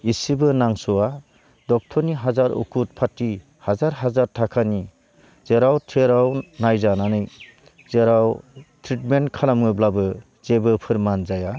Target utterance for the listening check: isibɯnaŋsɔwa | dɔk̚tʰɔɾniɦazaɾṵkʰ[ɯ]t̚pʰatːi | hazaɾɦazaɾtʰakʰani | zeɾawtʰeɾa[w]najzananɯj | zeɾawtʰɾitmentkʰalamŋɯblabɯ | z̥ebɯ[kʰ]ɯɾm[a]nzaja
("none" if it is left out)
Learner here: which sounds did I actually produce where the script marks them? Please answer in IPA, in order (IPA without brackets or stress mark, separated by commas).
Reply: u, w, pʰ, a